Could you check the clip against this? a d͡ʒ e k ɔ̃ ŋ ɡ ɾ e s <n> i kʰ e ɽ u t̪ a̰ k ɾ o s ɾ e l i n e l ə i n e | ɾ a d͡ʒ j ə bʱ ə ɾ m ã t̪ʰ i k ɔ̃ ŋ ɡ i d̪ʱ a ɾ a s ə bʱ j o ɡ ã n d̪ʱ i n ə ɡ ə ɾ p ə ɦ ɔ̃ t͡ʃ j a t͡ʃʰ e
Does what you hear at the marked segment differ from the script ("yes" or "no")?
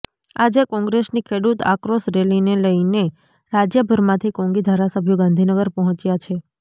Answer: no